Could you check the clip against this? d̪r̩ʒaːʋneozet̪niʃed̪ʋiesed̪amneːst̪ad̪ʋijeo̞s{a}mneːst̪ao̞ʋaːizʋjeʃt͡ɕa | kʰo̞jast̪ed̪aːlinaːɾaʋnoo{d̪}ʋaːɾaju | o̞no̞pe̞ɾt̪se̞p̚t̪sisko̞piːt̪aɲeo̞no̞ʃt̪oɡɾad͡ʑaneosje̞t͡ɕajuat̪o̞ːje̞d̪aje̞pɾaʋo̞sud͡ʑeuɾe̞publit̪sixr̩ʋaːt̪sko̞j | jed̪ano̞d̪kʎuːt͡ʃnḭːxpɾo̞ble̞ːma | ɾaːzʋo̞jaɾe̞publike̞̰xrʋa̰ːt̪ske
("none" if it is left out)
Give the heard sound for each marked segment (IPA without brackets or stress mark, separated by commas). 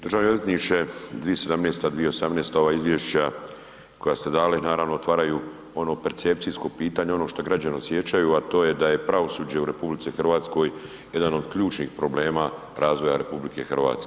a, t̪